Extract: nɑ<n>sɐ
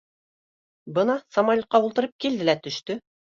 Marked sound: incorrect: none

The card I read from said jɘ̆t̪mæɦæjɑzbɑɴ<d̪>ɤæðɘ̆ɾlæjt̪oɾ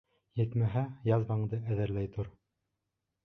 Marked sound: correct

